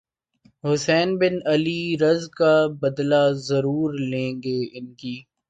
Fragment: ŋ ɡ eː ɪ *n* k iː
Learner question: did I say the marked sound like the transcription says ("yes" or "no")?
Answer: yes